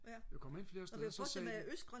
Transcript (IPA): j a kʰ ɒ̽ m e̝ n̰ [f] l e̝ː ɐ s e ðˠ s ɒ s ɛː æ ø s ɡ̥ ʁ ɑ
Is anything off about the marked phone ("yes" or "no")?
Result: no